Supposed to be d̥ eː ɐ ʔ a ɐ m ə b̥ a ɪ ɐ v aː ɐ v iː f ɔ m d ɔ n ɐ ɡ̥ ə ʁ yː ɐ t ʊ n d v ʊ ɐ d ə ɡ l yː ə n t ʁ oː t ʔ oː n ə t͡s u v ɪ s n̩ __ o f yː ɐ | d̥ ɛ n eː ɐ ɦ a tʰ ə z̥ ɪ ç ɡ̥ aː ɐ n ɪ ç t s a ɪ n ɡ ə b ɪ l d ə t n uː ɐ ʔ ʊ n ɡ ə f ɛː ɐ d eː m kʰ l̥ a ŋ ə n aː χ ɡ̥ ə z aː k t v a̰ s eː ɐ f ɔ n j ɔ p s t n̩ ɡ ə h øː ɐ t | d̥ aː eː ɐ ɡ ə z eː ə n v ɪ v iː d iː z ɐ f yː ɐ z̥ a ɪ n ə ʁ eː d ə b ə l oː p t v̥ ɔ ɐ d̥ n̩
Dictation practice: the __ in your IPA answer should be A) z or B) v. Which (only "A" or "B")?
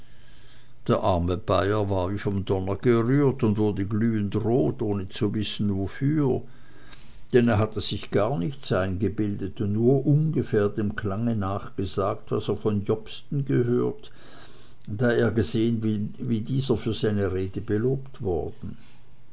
B